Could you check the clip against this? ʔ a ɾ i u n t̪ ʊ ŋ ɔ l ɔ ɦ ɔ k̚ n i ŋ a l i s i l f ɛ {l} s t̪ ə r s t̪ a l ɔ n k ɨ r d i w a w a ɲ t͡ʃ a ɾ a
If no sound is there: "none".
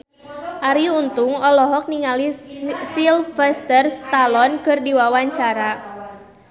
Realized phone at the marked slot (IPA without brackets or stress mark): none